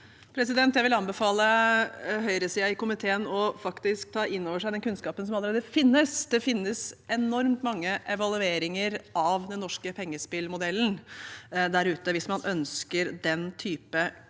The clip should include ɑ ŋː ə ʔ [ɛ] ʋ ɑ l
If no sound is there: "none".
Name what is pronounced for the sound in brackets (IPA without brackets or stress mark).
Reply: ɛ